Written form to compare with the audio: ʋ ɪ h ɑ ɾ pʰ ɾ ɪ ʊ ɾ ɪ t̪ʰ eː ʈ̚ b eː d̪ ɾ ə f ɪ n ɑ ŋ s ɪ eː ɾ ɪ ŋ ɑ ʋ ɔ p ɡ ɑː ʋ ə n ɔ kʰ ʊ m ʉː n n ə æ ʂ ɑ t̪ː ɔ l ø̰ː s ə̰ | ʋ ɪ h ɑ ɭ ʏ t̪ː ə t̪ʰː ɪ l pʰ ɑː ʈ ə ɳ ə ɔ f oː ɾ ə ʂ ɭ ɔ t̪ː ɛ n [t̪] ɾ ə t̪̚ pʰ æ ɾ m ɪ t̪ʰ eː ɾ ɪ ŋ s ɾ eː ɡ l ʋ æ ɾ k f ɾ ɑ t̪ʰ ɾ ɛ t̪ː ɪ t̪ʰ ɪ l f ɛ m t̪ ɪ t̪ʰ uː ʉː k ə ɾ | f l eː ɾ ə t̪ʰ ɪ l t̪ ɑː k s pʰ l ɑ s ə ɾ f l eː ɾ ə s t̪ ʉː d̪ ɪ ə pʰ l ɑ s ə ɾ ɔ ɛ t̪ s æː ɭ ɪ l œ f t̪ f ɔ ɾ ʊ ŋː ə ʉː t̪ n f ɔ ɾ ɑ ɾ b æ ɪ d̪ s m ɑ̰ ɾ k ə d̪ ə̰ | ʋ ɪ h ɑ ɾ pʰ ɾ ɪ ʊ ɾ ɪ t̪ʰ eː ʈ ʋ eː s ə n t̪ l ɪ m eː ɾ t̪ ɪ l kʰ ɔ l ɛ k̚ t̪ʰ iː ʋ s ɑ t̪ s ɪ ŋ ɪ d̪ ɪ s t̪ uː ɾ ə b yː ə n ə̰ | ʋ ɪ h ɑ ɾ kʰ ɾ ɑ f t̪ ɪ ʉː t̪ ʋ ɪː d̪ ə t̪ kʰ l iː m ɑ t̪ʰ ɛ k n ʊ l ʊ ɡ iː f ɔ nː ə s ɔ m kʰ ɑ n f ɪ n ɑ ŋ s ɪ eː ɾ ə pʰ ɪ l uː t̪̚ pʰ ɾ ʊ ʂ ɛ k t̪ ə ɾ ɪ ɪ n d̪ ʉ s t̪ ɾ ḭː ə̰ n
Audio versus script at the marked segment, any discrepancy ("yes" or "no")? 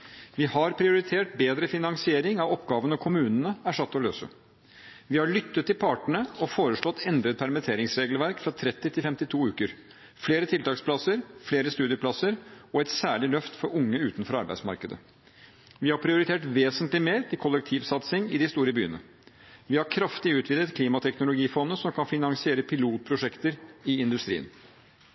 yes